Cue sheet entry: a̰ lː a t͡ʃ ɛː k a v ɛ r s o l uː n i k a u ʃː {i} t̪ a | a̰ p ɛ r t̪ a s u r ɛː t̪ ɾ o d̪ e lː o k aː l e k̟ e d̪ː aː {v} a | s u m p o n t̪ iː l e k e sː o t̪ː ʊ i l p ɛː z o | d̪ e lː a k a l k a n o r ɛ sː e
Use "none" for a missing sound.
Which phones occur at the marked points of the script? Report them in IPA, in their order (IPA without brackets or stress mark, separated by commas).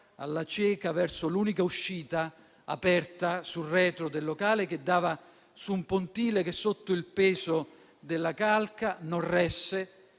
iː, v